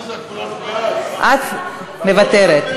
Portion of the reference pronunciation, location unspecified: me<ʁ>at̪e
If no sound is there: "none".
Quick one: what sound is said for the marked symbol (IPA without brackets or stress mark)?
v